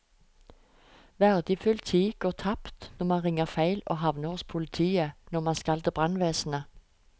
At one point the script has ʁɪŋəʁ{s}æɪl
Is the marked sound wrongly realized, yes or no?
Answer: yes